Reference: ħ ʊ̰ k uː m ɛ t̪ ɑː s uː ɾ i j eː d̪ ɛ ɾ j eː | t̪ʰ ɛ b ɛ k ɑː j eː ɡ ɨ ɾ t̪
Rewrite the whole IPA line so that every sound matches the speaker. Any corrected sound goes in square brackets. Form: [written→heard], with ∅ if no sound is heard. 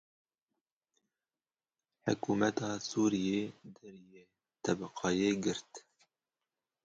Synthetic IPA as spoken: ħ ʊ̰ k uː m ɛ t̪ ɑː s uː ɾ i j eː d̪ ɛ ɾ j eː | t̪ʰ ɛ b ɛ [k→q] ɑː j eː ɡ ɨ ɾ t̪